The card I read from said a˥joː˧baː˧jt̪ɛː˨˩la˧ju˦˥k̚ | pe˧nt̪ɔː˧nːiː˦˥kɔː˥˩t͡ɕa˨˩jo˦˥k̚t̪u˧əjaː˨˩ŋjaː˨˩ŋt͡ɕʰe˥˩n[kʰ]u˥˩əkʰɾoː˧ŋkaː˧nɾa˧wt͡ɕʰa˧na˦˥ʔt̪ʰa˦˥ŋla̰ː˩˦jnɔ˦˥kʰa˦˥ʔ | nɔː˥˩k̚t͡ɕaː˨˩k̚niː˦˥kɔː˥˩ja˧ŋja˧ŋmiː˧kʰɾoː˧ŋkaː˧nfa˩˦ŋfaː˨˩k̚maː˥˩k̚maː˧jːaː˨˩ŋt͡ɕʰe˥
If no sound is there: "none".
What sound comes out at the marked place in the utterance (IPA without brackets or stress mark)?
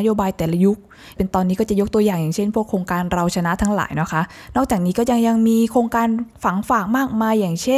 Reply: pʰ